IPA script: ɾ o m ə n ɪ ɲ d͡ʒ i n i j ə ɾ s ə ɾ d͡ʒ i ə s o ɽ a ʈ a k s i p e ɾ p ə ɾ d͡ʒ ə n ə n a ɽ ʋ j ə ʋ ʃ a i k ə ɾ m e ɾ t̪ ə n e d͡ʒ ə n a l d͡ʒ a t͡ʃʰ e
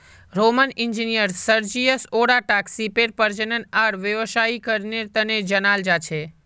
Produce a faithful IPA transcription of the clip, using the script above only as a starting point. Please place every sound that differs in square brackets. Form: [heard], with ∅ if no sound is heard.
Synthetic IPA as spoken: ɾ o m ə n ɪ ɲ d͡ʒ i n i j ə ɾ s ə ɾ d͡ʒ i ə s o ɽ a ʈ a k s i p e ɾ p ə ɾ d͡ʒ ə n ə n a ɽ ʋ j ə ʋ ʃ a i k ə ɾ [n] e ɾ t̪ ə n e d͡ʒ ə n a l d͡ʒ a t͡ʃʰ e